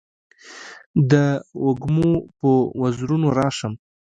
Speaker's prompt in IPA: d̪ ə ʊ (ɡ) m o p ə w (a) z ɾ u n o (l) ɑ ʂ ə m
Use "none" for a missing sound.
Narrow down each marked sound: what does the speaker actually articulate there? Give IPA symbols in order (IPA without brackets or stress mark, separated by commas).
ɡ, a, ɾ